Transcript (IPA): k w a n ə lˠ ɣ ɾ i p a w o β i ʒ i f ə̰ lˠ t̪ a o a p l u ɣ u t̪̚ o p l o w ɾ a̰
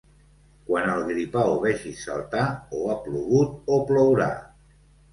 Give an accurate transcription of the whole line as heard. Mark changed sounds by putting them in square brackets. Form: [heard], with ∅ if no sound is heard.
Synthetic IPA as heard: k w a n ə lˠ ɣ ɾ i p a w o β [ɛ] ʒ i [s] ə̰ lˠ t̪ a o a p l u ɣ u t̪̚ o p l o w ɾ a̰

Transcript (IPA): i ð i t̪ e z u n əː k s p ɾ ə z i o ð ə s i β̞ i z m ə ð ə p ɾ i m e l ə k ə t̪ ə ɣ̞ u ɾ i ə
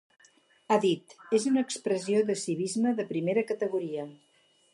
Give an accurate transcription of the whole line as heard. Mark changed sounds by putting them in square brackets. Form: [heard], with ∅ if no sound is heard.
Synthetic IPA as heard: [a] ð i t̪ e z u n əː k s p ɾ ə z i o ð ə s i β̞ i z m ə ð ə p ɾ i m e [ɾ] ə k ə t̪ ə ɣ̞ u ɾ i ə

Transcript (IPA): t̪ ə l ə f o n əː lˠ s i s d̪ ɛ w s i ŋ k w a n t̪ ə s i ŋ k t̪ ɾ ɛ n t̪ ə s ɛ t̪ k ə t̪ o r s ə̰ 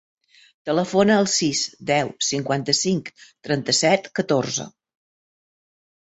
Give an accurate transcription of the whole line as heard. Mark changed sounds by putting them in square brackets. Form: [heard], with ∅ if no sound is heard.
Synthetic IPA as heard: t̪ ə l ə f o n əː lˠ s i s d̪ ɛ w s i ŋ k w a n t̪ ə s i ŋ k t̪ ɾ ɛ n t̪ ə s ɛ t̪ k ə t̪ o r [z] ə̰

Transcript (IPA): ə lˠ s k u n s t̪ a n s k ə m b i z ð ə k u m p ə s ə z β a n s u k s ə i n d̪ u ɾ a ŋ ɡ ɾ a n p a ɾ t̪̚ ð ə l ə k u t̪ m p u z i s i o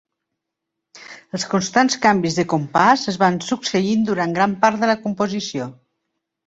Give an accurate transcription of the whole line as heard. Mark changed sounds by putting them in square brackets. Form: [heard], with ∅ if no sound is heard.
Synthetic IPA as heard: ə lˠ s k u n s t̪ a n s k [a] m b i z ð ə k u m p [a] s ə z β a n s u k s ə i n d̪ u ɾ a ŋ ɡ ɾ a [m] p a ɾ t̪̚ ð ə l ə k u [∅] m p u z i s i o

